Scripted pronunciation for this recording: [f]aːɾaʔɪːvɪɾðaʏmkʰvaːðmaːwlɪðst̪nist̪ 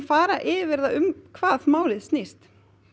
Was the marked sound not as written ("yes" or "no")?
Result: no